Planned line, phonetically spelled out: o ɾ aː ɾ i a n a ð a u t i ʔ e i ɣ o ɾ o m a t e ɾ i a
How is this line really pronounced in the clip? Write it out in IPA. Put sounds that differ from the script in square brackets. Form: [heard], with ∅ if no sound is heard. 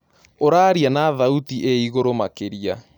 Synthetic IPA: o ɾ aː ɾ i a n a ð a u t i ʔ e i ɣ o ɾ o m a [k] e ɾ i a